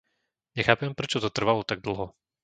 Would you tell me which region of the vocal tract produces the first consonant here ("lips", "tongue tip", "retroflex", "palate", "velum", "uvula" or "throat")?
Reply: tongue tip